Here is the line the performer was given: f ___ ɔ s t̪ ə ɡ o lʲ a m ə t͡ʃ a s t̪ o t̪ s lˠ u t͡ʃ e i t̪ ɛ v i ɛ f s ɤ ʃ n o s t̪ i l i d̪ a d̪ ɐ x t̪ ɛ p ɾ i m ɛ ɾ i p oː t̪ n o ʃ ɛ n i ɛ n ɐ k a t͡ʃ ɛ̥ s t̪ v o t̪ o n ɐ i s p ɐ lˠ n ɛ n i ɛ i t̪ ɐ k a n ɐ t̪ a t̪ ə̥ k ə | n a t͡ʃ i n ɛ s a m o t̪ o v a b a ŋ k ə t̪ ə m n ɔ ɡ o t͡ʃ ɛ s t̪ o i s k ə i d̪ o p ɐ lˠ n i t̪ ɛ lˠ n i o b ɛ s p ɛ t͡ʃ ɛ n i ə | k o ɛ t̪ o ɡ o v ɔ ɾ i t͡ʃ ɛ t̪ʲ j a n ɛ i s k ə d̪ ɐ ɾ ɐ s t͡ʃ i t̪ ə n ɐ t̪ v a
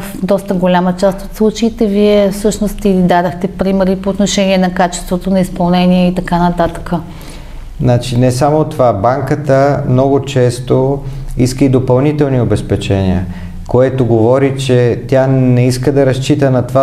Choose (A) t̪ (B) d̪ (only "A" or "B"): B